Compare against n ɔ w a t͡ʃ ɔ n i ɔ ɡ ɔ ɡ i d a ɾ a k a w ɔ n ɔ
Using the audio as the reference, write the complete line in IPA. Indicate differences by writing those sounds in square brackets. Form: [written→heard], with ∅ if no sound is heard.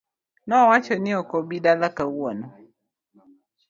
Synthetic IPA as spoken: n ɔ w a t͡ʃ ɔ n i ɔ [ɡ→k] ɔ [ɡ→b] i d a [ɾ→l] a k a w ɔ n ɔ

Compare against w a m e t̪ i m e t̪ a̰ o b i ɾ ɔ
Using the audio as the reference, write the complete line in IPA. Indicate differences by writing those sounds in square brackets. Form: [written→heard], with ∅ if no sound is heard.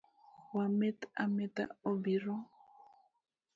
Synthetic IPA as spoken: w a m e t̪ [i→a] m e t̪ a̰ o b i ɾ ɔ

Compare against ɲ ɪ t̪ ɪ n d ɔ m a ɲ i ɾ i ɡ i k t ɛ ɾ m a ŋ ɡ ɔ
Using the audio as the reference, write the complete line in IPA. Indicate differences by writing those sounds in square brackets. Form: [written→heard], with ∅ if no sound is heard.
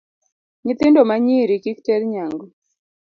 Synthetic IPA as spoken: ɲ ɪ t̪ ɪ n d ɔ m a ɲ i ɾ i [ɡ→k] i k t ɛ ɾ [m→ɲ] a ŋ ɡ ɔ

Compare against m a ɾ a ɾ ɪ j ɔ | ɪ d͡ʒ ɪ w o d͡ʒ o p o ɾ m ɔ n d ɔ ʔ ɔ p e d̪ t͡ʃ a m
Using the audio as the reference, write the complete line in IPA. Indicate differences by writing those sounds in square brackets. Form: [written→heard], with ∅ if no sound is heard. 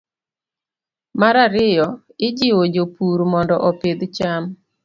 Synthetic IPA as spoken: m a ɾ a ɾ ɪ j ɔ | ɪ d͡ʒ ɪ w o d͡ʒ o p [o→u] ɾ m ɔ n d ɔ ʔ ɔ p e d̪ t͡ʃ a m

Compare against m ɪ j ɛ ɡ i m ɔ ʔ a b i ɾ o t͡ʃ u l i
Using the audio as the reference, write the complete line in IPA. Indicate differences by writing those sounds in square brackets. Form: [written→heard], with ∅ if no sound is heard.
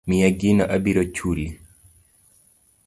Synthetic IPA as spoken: m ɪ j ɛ ɡ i [m→n] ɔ ʔ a b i ɾ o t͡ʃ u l i

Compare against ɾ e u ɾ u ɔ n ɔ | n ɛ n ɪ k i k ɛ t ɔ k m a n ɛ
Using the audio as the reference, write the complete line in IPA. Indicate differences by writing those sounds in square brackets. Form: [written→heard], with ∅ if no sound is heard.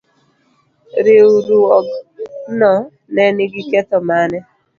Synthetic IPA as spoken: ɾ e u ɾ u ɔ n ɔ | n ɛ n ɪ [k→ɡ] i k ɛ t ɔ [k→∅] m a n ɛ

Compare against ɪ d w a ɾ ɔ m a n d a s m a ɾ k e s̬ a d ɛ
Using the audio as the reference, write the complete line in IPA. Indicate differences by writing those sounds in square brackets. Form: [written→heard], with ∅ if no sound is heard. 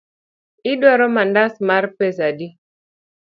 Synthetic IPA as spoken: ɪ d w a ɾ ɔ m a n d a s m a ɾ [k→p] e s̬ a d [ɛ→i]

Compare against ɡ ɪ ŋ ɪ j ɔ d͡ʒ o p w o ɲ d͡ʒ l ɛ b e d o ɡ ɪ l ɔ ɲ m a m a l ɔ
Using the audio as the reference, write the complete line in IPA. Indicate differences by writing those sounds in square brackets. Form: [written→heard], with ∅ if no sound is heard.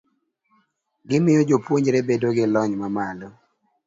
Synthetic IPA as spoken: ɡ ɪ [ŋ→m] ɪ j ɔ d͡ʒ o p w o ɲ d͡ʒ [l→ɾ] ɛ b e d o ɡ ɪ l ɔ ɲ m a m a l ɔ

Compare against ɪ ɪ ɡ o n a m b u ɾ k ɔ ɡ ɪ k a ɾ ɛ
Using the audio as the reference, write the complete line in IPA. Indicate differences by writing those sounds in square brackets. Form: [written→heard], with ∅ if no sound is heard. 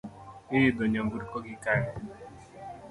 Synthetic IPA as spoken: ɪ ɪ [ɡ→d] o [n→ɲ] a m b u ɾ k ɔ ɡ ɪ k a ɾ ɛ

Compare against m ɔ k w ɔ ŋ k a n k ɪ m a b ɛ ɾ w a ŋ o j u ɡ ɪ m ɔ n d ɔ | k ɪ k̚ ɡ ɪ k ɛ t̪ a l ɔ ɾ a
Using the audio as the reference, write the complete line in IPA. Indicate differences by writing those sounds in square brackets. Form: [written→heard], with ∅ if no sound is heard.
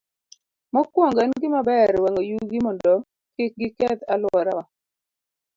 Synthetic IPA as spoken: m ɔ k w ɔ ŋ [k→ɡ] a n [k→ɡ] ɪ m a b ɛ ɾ w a ŋ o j u ɡ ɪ m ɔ n d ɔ | k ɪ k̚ ɡ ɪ k ɛ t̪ a l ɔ ɾ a

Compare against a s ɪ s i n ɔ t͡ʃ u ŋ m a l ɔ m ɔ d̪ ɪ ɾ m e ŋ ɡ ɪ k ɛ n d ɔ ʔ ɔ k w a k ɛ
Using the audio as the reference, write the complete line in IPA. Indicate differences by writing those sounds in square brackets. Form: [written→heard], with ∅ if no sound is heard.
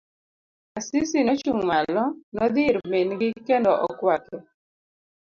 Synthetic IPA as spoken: a s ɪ s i n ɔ t͡ʃ u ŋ m a l ɔ [m→n] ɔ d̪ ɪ ɾ m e [ŋ→n] ɡ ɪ k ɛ n d ɔ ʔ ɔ k w a k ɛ

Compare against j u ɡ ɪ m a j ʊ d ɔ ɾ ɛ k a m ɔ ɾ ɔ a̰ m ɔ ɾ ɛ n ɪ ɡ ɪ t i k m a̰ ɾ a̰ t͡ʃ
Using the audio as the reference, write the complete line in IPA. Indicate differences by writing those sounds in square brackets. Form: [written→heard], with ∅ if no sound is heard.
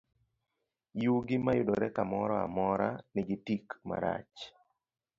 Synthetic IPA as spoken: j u ɡ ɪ m a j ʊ d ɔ ɾ ɛ k a m ɔ ɾ ɔ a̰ m ɔ ɾ [ɛ→a] n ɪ ɡ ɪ t i k m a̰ ɾ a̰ t͡ʃ

